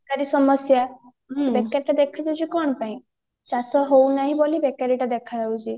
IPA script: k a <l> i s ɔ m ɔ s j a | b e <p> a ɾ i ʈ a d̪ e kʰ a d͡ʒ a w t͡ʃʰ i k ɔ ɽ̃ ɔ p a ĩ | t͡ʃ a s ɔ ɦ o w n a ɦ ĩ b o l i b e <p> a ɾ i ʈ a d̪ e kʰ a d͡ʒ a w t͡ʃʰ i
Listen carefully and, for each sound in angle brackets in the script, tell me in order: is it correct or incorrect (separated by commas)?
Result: incorrect, incorrect, incorrect